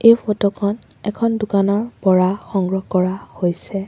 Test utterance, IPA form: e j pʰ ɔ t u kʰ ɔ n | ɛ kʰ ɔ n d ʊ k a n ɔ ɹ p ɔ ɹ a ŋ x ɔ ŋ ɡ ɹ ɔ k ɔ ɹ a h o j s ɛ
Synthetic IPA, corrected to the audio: e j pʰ ɔ t ɔ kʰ ɔ n | ɛ kʰ ɔ n d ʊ k a n ɔ ɹ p ɔ ɹ a x ɔ ŋ ɡ ɹ ɔ k ɔ ɹ a h o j s ɛ